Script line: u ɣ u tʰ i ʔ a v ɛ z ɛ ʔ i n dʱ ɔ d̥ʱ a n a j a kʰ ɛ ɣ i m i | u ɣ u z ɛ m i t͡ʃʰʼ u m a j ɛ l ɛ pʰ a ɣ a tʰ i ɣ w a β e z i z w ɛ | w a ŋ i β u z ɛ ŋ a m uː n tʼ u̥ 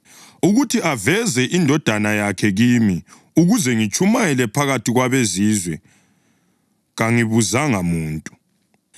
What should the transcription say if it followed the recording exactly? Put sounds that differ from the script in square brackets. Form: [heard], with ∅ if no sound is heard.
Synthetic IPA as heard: u ɣ u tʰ i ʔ a v ɛ z ɛ ʔ i n dʱ ɔ d̥ʱ a n a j a kʰ ɛ ɣ i m i | u ɣ u z ɛ [ŋ] i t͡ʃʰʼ u m a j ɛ l ɛ pʰ a ɣ a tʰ i ɣ w a β e z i z w ɛ | [ɣ] a ŋ i β u z [a] ŋ a m uː n tʼ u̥